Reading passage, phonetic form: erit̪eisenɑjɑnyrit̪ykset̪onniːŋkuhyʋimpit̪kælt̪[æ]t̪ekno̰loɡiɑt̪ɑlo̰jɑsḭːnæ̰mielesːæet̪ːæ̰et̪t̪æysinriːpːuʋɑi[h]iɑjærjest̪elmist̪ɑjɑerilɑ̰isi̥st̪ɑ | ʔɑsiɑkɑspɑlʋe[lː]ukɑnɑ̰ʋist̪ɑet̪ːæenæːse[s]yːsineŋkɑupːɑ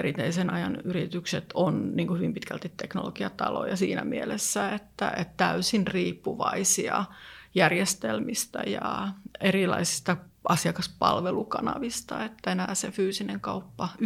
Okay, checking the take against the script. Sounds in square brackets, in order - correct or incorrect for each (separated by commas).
incorrect, incorrect, incorrect, incorrect